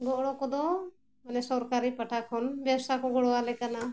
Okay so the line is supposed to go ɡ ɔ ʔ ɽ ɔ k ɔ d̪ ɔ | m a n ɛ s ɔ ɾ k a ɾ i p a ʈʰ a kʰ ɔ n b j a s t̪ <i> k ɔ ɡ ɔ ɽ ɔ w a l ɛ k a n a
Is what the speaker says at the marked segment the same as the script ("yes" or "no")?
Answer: no